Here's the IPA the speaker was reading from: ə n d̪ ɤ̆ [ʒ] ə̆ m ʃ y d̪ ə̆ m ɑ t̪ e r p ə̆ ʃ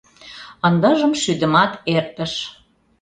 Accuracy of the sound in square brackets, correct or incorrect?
correct